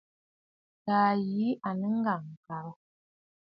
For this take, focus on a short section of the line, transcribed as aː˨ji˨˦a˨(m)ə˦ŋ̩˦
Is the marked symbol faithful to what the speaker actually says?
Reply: no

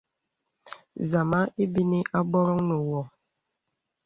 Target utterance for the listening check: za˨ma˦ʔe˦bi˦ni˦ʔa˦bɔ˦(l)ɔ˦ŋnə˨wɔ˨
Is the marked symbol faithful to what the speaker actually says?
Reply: no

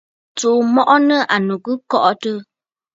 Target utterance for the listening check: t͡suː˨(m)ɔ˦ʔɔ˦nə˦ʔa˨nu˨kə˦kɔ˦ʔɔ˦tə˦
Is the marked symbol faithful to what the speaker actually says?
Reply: yes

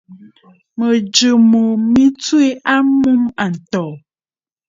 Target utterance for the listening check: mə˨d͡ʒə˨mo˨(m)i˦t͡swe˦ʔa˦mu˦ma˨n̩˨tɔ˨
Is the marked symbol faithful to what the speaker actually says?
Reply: yes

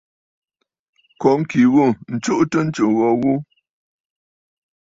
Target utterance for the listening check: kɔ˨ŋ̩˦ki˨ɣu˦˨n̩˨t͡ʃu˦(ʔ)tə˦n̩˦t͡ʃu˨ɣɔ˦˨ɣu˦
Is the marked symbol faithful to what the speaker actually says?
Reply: yes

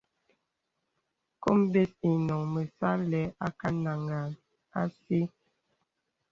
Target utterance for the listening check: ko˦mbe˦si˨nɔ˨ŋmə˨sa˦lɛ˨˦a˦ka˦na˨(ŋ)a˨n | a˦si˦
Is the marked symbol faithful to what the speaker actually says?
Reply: yes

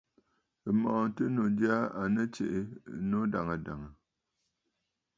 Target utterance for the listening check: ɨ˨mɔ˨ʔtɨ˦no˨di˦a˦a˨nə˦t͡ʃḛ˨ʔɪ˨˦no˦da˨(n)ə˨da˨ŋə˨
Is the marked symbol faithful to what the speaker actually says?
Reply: no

